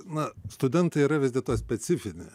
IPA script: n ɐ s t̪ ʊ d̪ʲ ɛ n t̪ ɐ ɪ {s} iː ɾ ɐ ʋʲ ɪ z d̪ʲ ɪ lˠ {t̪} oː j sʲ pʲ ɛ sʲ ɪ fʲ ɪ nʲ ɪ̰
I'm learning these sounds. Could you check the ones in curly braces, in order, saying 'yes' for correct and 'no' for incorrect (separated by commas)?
no, yes